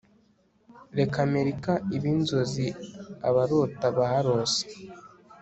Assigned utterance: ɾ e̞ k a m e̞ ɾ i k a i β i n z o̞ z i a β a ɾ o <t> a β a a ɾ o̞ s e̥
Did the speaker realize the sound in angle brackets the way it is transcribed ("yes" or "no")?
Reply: yes